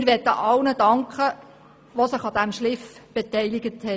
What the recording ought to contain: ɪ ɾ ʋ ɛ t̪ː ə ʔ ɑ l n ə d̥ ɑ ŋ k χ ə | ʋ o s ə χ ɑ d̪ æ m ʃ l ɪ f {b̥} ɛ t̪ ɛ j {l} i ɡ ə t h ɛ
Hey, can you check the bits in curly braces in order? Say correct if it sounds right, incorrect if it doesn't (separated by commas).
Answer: correct, correct